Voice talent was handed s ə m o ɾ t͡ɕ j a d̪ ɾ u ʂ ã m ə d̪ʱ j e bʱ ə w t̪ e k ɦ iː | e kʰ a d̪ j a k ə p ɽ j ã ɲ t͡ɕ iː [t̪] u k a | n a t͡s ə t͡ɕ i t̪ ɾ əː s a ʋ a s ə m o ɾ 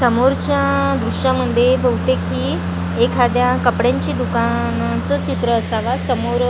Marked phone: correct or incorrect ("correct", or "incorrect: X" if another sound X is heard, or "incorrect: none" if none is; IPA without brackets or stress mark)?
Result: incorrect: d̪